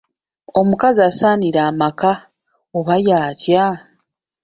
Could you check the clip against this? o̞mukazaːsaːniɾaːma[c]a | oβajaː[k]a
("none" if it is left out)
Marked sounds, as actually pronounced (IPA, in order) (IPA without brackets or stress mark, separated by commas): k, c